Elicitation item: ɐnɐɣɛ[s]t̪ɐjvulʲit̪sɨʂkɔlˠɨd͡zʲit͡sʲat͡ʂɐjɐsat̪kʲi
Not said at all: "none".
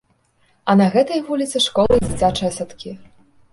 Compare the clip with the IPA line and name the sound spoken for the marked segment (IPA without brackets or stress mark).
none